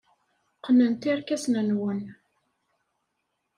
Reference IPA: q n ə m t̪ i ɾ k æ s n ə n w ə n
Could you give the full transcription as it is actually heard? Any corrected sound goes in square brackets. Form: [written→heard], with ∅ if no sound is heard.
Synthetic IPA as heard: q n ə [m→n] t̪ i ɾ k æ s n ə n w ə n